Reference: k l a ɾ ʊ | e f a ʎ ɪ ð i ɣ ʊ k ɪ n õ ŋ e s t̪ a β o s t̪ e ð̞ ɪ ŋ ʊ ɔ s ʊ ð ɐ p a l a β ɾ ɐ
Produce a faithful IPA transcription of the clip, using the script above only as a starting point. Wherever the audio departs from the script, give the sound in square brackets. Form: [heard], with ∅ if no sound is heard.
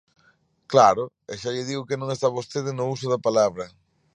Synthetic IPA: k l a ɾ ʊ | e [ʃ] a ʎ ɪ ð i ɣ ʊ k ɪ n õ ŋ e s t̪ a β o s t̪ e ð̞ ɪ [n] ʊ [u] s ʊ ð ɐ p a l a β ɾ ɐ